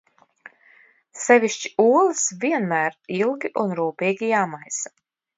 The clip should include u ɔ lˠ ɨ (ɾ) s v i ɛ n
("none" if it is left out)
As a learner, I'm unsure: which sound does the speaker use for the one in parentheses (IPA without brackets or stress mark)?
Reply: none